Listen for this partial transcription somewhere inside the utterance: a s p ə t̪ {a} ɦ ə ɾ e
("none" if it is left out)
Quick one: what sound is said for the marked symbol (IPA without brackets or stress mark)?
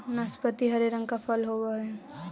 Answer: i